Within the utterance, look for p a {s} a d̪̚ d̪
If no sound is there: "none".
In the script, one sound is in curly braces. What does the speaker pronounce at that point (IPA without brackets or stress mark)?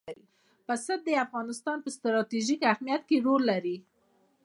s